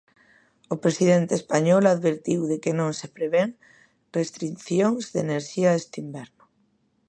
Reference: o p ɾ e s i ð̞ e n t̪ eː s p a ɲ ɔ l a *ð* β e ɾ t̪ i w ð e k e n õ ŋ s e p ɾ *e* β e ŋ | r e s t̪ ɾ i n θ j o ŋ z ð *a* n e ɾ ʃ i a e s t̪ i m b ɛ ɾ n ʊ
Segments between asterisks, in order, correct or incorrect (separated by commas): correct, correct, incorrect